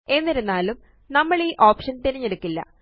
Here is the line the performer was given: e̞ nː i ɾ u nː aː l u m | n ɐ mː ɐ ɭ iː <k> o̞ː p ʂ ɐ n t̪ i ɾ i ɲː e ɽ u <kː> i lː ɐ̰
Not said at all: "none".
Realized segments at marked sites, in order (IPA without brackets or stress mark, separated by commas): ʔ, kː